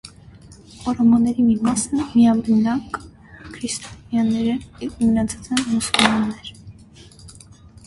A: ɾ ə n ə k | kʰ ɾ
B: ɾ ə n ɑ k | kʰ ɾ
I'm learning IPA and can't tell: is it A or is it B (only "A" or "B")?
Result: B